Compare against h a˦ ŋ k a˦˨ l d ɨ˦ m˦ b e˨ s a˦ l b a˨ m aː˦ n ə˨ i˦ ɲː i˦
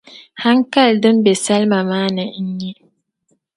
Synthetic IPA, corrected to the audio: h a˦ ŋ k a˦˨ l d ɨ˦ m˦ b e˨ s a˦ l m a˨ m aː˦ n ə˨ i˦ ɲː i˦